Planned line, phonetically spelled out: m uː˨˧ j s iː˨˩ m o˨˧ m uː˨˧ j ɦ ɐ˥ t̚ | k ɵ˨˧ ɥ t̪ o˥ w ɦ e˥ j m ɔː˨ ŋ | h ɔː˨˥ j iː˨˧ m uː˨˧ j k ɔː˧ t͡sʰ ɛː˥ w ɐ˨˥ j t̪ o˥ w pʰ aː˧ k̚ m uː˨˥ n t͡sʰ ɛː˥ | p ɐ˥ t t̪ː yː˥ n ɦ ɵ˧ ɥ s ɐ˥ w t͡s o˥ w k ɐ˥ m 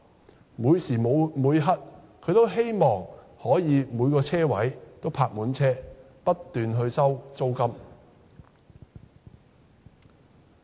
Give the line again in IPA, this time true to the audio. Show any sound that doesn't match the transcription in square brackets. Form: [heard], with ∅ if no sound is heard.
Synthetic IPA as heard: m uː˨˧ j s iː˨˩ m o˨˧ m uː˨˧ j ɦ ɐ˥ t̚ | [kʰ] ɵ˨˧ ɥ t̪ o˥ w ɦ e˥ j m ɔː˨ ŋ | h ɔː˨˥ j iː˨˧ m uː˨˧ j k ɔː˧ t͡sʰ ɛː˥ w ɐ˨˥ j t̪ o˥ w pʰ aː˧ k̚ m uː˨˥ n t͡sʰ ɛː˥ | p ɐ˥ t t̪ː [yː˨] n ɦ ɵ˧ ɥ s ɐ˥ w t͡s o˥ w k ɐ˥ m